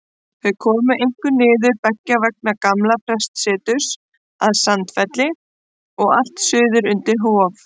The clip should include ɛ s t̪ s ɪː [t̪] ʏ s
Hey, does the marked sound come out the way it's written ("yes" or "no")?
yes